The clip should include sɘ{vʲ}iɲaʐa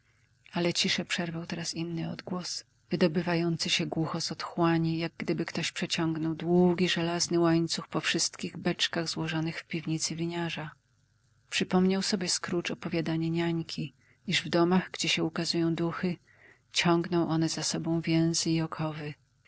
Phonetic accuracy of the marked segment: correct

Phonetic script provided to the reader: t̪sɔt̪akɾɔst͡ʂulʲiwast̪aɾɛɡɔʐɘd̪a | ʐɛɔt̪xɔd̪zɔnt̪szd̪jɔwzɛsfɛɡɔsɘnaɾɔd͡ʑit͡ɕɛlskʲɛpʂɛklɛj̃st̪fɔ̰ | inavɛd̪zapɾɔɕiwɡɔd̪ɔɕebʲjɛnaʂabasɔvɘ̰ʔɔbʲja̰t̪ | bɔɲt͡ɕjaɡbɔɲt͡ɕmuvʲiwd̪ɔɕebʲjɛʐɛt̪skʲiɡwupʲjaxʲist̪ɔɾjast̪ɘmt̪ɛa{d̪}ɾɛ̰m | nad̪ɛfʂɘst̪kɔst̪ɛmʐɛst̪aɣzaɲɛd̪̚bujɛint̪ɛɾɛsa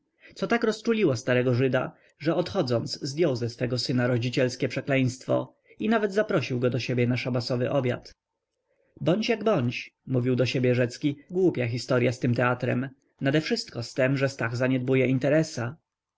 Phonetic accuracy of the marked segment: incorrect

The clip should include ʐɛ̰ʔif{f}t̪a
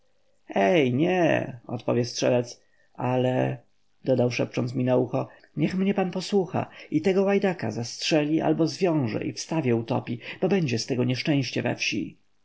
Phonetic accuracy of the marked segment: incorrect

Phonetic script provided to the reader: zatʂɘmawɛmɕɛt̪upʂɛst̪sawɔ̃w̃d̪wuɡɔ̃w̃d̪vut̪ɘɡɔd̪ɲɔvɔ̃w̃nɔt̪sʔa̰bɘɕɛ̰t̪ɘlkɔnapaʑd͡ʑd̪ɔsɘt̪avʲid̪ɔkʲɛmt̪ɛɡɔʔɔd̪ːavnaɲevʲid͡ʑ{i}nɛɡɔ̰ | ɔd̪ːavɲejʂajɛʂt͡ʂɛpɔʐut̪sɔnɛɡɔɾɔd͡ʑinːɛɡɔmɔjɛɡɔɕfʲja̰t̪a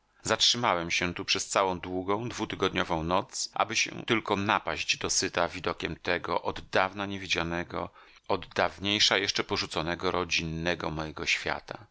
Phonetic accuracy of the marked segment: incorrect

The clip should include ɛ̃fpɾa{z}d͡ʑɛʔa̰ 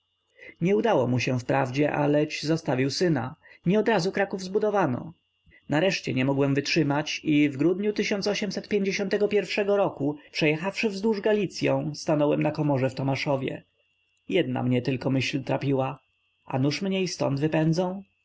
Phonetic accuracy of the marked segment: incorrect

